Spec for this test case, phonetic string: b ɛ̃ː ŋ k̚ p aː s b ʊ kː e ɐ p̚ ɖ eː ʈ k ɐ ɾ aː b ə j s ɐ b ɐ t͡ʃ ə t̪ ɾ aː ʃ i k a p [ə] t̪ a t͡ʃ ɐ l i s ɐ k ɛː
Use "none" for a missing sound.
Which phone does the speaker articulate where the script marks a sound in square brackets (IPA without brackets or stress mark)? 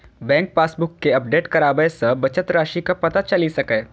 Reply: ɐ